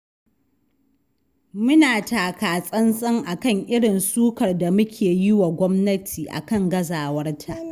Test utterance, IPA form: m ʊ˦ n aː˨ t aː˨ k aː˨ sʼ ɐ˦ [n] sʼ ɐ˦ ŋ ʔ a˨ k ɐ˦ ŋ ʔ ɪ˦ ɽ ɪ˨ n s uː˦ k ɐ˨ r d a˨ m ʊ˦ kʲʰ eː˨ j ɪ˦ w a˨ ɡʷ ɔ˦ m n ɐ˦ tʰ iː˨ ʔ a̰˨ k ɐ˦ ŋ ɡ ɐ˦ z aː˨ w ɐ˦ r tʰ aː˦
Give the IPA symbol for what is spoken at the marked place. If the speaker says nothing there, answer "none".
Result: n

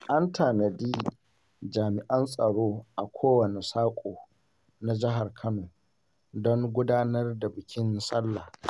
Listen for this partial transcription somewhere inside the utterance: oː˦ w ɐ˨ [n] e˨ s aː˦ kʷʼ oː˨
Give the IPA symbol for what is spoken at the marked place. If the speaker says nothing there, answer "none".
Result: n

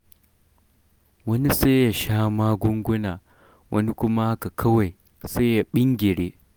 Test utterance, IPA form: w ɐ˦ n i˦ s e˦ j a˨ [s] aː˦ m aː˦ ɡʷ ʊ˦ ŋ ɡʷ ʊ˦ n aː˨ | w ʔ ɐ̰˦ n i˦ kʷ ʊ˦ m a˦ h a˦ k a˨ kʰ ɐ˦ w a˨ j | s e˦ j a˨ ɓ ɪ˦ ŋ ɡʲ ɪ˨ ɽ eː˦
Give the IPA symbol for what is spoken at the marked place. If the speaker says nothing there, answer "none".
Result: ʃ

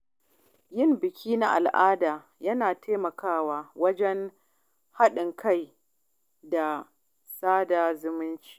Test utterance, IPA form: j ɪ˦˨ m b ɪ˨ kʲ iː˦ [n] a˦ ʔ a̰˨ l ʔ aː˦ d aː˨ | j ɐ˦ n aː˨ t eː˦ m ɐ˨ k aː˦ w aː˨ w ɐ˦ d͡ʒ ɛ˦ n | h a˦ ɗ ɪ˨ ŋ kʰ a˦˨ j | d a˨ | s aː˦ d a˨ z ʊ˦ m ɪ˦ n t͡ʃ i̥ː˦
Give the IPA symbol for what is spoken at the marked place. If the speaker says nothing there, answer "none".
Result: n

